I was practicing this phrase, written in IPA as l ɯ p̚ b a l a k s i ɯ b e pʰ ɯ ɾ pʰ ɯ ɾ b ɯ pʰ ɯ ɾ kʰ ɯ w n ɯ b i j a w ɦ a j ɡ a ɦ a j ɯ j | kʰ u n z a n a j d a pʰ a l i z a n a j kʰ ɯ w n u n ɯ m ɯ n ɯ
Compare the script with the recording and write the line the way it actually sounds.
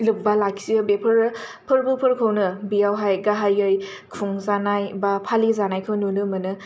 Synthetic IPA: l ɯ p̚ b a l a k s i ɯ b e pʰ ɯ ɾ pʰ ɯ ɾ b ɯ pʰ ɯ ɾ kʰ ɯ w n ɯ b i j a w ɦ a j ɡ a ɦ a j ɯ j | kʰ u ŋ z a n a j b a pʰ a l i z a n a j kʰ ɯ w n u n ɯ m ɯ n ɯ